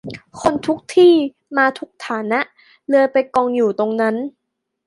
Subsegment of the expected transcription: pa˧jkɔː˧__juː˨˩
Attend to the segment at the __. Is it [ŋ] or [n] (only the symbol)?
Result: ŋ